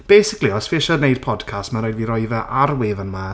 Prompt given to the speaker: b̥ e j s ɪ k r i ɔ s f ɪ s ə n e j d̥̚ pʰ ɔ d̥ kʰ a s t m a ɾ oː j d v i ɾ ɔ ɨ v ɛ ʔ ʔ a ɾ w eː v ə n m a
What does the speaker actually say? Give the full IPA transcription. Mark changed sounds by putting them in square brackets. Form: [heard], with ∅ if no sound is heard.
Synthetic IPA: b̥ e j s ɪ k [l] i ɔ s f ɪ [ʃ] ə n e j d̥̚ pʰ ɔ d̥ kʰ a s t m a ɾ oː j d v i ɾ ɔ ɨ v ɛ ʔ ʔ a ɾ w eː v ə n m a